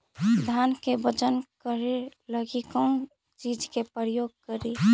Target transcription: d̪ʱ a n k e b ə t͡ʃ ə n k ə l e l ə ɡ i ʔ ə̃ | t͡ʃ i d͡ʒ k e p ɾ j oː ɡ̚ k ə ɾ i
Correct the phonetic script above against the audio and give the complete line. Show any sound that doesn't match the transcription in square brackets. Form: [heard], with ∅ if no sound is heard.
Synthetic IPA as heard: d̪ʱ a n k e b ə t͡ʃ ə n k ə [ɾ] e l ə ɡ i [k] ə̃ | t͡ʃ i d͡ʒ k e p ɾ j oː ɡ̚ k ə ɾ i